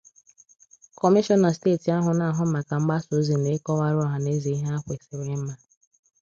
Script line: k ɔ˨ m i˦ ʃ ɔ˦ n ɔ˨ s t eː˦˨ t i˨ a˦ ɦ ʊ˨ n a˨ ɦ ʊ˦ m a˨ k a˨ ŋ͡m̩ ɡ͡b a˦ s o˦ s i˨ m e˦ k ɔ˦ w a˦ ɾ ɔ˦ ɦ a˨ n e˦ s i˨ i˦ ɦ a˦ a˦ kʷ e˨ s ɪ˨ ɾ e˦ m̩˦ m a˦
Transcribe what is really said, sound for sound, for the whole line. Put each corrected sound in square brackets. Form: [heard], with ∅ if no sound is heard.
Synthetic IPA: k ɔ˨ m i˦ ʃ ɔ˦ n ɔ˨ s t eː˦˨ t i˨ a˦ ɦ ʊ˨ n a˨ ɦ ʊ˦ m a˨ k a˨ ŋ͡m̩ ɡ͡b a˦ s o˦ [z] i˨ [n] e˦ k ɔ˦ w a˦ ɾ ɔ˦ ɦ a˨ n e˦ [z] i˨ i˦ ɦ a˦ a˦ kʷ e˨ s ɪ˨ ɾ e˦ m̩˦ m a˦